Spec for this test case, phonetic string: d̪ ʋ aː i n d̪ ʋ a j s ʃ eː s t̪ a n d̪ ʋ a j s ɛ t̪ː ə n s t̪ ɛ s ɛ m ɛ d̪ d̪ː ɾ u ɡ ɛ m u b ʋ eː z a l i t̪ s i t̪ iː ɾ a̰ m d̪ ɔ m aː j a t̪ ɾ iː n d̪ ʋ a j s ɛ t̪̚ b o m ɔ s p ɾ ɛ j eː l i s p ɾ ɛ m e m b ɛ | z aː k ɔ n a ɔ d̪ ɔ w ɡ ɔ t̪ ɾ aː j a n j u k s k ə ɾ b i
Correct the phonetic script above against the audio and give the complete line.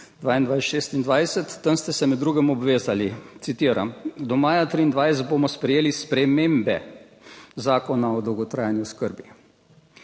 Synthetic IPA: d̪ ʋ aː i n d̪ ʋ a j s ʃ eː s t̪ i n d̪ ʋ a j s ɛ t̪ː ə n s t̪ ɛ s ɛ m ɛ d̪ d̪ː ɾ u ɡ ɛ m ɔ b ʋ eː z a l i t̪ s i t̪ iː ɾ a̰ m d̪ ɔ m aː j a t̪ ɾ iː n d̪ ʋ a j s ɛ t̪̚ b o m ɔ s p ɾ ɛ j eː l i s p ɾ ɛ m e m b ɛ | z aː k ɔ n a ɔ d̪ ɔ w ɡ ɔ t̪ ɾ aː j a n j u s k ə ɾ b i